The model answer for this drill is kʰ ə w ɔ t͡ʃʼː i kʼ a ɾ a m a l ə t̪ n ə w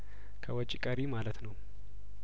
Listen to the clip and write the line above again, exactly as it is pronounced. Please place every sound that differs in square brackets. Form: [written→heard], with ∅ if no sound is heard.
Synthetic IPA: kʰ ə w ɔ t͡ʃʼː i kʼ [a→ə] ɾ [a→i] m a l ə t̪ n ə w